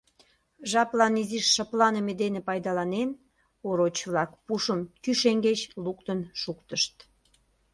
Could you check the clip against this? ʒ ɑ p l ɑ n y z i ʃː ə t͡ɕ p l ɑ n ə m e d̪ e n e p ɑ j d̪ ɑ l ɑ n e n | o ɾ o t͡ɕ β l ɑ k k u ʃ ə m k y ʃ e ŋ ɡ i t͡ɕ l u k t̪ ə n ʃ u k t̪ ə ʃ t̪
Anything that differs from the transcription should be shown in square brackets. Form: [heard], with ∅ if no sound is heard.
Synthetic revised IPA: ʒ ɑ p l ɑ n [i] z i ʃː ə [∅] p l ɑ n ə m e d̪ e n e p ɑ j d̪ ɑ l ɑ n e n | o ɾ o t͡ɕ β l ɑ k [p] u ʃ ə m k y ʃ e ŋ ɡ [e] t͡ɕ l u k t̪ ə n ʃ u k t̪ ə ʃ t̪